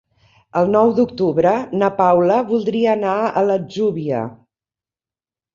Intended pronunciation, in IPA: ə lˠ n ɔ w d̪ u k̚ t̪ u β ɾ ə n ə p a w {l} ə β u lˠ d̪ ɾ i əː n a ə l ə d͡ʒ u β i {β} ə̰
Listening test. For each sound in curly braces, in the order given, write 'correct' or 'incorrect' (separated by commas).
correct, incorrect